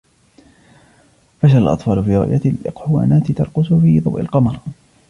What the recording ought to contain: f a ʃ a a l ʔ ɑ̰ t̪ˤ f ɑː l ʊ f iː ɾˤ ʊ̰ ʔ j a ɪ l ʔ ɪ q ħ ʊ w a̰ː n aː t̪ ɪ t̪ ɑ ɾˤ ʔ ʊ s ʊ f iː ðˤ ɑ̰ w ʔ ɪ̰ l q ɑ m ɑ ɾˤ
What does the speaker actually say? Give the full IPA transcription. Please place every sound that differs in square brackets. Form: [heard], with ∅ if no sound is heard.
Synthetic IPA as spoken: f a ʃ a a l ʔ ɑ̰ t̪ˤ f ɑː l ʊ f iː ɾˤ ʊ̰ ʔ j a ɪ l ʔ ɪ q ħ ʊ w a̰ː n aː t̪ ɪ t̪ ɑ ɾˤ [q] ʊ s ʊ f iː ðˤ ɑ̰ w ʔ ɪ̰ l q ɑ m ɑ ɾˤ